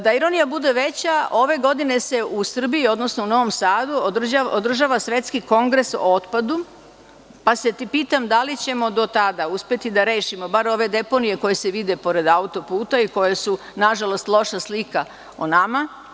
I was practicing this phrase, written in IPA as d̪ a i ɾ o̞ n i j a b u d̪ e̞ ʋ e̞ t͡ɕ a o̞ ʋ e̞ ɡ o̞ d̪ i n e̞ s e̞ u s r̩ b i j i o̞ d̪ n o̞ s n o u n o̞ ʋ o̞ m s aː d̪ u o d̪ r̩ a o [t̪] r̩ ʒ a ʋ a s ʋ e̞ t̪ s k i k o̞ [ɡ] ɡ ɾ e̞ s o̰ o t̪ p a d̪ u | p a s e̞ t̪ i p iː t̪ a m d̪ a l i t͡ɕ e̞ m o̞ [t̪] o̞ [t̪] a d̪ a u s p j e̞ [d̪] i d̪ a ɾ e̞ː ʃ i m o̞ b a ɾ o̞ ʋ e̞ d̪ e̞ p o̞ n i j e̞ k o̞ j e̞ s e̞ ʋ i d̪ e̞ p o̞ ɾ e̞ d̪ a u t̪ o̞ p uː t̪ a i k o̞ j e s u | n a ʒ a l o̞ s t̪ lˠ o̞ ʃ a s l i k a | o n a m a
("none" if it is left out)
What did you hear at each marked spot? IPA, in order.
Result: d̪, ŋ, d̪, t̪, t̪

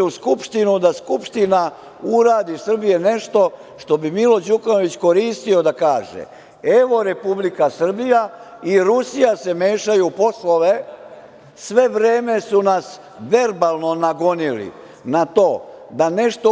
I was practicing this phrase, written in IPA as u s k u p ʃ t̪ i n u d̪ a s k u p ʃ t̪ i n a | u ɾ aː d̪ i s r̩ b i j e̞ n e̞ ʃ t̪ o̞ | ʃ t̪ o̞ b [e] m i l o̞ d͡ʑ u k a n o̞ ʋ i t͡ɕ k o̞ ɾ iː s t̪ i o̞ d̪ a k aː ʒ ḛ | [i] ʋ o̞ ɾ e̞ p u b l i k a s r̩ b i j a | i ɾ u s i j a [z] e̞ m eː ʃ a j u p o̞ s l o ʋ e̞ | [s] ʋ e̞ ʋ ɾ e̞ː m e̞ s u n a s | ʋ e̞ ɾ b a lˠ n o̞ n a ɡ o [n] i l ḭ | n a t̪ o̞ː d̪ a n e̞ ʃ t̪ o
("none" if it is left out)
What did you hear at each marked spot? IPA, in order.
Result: i, e, s, s, n

